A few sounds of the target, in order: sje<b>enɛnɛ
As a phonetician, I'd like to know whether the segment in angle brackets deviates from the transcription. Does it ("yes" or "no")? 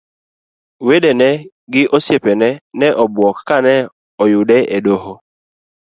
yes